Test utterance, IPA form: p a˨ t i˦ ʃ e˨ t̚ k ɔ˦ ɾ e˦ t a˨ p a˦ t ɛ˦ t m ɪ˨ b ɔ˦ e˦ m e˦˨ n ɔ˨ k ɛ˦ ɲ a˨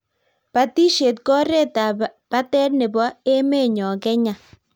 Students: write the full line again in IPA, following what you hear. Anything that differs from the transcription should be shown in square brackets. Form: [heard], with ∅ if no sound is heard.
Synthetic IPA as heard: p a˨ t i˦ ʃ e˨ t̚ k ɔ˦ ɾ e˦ t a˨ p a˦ t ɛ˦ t [n] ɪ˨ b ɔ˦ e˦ m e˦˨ [ɲ] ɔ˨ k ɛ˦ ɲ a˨